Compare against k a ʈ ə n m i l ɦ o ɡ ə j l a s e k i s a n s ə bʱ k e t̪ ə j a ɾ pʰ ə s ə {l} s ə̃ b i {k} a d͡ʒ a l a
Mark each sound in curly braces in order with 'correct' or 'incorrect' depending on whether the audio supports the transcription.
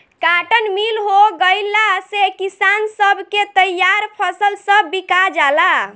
correct, correct

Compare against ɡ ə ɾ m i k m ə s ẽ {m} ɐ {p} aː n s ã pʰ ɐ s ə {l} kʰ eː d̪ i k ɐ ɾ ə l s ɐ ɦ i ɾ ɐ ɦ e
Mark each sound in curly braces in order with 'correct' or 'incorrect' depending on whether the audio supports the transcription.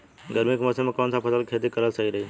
correct, incorrect, correct

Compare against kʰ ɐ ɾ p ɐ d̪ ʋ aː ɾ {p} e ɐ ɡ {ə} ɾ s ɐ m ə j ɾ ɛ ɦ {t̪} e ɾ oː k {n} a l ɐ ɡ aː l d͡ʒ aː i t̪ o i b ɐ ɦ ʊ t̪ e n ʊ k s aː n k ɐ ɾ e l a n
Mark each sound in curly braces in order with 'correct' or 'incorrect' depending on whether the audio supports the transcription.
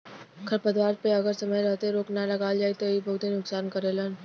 correct, correct, correct, correct

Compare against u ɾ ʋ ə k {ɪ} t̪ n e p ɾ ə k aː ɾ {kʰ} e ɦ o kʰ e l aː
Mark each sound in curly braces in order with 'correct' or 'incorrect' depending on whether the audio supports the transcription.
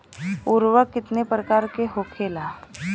correct, incorrect

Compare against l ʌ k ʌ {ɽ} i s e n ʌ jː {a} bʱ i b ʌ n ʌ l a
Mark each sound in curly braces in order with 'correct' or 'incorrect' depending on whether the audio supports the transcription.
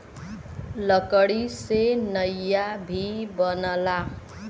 correct, correct

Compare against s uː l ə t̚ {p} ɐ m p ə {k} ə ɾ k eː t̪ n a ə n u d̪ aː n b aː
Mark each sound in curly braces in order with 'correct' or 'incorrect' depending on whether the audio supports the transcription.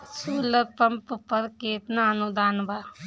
correct, incorrect

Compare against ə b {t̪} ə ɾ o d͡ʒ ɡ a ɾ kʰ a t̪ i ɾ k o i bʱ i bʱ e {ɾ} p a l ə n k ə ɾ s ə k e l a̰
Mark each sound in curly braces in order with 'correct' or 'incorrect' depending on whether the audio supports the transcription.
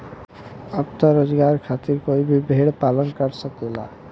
correct, incorrect

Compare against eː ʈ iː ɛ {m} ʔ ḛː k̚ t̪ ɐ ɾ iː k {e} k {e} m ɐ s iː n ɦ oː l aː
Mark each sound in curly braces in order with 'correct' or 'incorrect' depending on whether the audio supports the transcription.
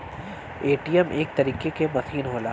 correct, correct, correct

